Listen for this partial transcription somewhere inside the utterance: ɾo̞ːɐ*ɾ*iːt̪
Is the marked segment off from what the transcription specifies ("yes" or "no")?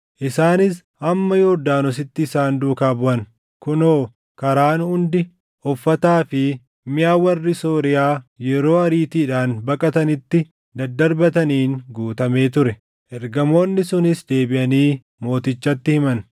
no